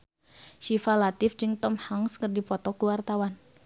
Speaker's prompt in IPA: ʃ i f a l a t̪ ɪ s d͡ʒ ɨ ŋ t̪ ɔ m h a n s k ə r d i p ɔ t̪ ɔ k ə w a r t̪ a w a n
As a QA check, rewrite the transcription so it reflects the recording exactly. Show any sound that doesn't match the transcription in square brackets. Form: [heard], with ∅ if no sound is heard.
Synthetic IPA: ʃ i f a l a t̪ ɪ [f] d͡ʒ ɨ ŋ t̪ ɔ m h a [ŋ] s k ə r d i p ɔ t̪ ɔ k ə w a r t̪ a w a n

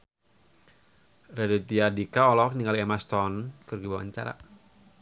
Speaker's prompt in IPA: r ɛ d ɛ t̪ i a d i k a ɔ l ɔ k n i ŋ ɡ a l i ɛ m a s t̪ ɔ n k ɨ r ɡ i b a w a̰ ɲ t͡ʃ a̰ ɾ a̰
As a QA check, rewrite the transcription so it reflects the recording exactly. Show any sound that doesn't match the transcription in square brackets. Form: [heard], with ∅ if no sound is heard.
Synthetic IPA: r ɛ d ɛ t̪ i a d i k a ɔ l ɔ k n i ŋ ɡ a l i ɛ m a s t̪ ɔ n k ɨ r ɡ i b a w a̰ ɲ t͡ʃ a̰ ɾ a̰

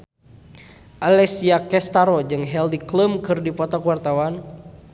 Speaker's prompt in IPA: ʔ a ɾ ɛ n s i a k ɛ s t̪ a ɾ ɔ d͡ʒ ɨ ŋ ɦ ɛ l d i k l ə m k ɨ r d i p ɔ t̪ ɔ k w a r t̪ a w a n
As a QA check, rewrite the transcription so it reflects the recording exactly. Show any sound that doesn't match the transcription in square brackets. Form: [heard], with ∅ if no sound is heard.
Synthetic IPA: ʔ a [l] ɛ [∅] s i a k ɛ s t̪ a ɾ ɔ d͡ʒ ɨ ŋ ɦ ɛ l d i k l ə m k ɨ r d i p ɔ t̪ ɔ k w a r t̪ a w a n

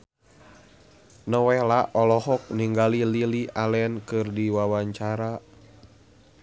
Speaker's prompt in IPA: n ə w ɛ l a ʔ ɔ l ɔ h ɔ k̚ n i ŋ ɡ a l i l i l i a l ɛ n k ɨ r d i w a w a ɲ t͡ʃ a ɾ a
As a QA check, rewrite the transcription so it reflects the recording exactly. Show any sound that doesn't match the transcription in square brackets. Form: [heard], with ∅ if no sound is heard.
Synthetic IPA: n ə w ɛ l a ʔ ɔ l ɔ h ɔ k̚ n i ŋ ɡ a l i l i l i a l ɛ n k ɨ r d i w a w a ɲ t͡ʃ a ɾ a

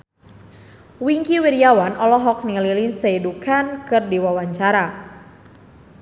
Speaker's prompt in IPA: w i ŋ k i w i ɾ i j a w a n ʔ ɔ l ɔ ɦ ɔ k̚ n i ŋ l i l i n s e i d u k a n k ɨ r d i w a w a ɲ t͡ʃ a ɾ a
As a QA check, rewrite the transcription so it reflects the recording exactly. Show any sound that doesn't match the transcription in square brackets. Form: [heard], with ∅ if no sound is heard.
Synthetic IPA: w i ŋ k i w i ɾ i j a w a n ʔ ɔ l ɔ ɦ ɔ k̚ n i ŋ l i l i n s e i d u k a n k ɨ r d i w a w a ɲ t͡ʃ a ɾ a

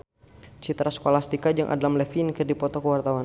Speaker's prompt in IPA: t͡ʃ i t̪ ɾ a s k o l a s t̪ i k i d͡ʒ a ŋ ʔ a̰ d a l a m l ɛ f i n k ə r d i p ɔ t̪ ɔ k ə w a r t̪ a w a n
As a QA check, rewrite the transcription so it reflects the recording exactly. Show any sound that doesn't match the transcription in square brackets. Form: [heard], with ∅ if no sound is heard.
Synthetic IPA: t͡ʃ i t̪ ɾ a s k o l a s t̪ i k [a] d͡ʒ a ŋ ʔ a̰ d a l a m l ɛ f i n k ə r d i p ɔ t̪ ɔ k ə w a r t̪ a w a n

